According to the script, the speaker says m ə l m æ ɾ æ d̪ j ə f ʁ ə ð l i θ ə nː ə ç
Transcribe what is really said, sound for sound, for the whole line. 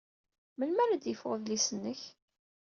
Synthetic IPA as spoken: m ə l m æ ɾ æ d̪ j ə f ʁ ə ð l i s ə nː ə ç